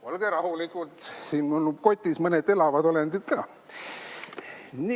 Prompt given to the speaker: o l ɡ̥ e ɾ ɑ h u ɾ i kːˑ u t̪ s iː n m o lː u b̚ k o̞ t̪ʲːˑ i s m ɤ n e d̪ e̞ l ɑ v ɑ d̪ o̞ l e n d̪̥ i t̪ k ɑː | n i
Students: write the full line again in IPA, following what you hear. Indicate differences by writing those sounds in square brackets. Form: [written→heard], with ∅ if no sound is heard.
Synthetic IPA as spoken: o l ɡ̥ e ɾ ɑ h u [ɾ→l] i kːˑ u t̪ s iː n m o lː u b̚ k o̞ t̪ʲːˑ i s m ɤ n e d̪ e̞ l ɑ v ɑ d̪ o̞ l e n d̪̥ i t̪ k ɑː | n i